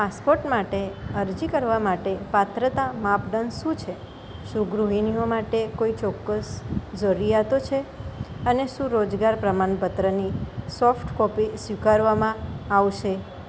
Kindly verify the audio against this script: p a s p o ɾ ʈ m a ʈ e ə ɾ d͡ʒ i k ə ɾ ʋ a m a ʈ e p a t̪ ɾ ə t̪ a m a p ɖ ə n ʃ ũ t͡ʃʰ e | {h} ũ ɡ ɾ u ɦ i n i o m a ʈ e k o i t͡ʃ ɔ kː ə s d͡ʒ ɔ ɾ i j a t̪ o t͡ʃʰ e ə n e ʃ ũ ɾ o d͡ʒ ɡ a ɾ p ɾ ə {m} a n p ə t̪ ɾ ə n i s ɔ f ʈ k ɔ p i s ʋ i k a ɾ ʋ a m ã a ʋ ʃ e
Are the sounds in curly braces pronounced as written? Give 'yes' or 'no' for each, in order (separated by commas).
no, yes